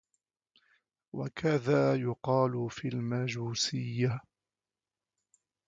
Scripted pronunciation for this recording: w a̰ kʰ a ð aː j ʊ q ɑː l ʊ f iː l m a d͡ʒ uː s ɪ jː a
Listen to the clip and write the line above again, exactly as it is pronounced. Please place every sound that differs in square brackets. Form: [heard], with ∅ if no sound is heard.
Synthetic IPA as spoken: w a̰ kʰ a ð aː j ʊ q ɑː l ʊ f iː l m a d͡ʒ uː s ɪ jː a